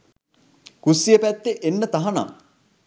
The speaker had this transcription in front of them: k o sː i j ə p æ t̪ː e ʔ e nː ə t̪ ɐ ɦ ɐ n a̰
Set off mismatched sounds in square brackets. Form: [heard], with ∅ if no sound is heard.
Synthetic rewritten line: k [u] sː i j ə p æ t̪ː e ʔ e nː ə t̪ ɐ ɦ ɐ n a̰